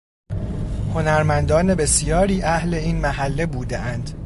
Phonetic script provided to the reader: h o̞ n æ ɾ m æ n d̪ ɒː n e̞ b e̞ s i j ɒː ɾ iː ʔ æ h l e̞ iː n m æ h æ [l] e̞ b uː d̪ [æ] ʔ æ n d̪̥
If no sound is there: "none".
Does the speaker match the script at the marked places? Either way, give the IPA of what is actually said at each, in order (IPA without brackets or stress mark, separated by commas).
lː, e